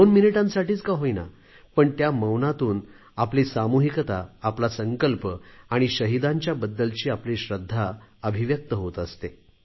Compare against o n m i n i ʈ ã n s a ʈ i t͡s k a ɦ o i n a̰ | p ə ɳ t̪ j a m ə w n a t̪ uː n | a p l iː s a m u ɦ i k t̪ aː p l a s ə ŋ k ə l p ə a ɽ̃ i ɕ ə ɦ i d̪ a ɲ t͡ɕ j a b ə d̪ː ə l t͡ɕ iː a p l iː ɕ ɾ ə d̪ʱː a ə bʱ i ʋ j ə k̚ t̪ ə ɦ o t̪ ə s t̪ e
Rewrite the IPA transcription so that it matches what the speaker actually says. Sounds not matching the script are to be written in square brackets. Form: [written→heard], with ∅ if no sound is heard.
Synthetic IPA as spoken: o n m i n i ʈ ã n s a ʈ [i→iː] t͡s k a ɦ o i n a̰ | p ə ɳ t̪ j a m ə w n a t̪ uː n | a p l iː s a m u ɦ i k t̪ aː p l a s ə ŋ k ə l p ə a ɽ̃ i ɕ ə ɦ i d̪ a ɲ t͡ɕ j a b ə d̪ː ə l t͡ɕ iː a p l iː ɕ ɾ ə d̪ʱː a ə bʱ i ʋ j ə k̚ t̪ ə ɦ o t̪ ə s t̪ e